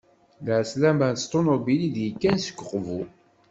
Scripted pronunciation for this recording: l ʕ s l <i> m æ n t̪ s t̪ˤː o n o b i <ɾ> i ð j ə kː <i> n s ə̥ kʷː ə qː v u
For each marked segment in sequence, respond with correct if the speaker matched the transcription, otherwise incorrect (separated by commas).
incorrect, incorrect, incorrect